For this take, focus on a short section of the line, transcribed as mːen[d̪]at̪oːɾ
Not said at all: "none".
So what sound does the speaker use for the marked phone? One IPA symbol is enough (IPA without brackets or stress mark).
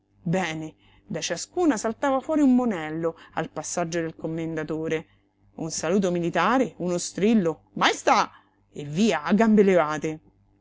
d̪